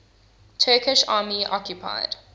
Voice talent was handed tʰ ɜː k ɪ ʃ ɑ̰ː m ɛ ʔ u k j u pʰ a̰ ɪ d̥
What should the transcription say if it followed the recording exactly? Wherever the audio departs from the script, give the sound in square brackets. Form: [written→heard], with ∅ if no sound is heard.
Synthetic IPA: tʰ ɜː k ɪ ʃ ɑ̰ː m [ɛ→i] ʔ [u→ɔ] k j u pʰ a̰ ɪ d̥